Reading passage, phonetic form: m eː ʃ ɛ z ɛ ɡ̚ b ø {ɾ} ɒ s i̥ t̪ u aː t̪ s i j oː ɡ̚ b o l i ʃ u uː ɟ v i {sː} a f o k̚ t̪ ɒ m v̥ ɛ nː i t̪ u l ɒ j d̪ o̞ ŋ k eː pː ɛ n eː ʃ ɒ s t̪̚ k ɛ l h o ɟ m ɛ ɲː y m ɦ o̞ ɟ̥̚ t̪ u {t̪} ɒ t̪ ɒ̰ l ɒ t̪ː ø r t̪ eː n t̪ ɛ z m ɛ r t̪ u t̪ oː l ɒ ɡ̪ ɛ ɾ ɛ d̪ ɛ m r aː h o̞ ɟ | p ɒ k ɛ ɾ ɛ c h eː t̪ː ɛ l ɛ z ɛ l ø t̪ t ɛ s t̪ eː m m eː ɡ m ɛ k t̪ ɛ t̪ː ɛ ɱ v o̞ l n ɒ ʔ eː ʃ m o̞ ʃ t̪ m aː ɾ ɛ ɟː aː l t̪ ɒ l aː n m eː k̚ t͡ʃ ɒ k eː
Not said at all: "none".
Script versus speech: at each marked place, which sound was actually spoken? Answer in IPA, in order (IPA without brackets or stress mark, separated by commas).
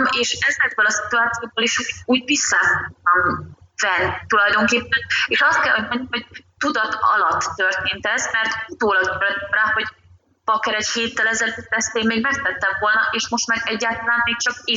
l, sː, d̪